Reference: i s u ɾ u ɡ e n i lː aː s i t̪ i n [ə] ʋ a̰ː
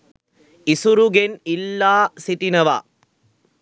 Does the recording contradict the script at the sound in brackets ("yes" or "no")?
yes